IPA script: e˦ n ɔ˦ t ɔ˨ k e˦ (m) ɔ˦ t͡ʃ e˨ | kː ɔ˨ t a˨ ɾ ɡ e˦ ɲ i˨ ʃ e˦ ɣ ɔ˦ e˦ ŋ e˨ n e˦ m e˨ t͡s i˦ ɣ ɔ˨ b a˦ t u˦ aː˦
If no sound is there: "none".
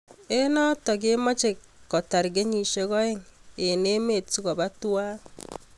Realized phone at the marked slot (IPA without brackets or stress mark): m